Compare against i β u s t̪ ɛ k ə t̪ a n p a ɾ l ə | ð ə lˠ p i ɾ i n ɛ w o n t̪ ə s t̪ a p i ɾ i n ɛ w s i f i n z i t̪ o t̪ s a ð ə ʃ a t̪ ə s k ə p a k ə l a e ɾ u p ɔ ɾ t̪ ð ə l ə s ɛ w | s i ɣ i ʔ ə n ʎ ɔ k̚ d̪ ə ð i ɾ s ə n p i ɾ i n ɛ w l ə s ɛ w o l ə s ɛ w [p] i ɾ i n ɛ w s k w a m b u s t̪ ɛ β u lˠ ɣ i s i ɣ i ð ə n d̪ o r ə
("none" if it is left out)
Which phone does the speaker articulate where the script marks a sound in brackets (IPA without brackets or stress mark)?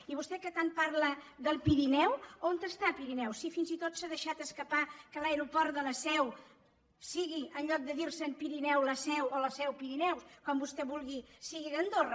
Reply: p